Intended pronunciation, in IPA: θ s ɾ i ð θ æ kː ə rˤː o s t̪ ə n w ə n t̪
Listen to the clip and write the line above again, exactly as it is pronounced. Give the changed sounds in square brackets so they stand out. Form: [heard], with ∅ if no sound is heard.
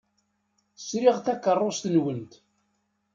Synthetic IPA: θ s ɾ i [ʁ] θ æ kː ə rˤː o s t̪ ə n w ə n t̪